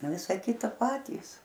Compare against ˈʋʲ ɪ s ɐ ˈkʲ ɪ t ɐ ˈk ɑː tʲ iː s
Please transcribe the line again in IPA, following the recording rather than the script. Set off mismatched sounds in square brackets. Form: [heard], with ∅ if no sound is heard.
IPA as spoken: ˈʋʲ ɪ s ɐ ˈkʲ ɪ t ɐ [ˈp] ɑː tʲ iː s